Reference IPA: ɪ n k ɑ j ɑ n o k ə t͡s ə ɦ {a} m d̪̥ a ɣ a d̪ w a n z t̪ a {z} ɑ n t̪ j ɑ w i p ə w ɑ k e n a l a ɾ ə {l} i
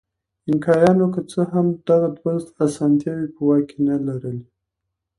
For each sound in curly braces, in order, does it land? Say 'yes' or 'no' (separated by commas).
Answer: yes, no, yes